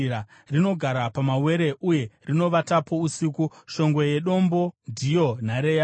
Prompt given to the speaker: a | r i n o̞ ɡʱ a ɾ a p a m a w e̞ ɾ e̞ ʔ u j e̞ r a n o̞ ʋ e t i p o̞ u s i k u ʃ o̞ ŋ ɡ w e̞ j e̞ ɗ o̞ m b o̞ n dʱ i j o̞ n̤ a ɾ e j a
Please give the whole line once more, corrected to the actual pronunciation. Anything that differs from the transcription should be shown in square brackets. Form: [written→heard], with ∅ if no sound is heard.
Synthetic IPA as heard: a | r i n o̞ ɡʱ a ɾ a p a m a w e̞ ɾ e̞ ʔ u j e̞ r [a→i] n o̞ ʋ [e→a] t [i→a] p o̞ u s i k u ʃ o̞ ŋ ɡ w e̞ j e̞ ɗ o̞ m b o̞ n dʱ i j o̞ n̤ a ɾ e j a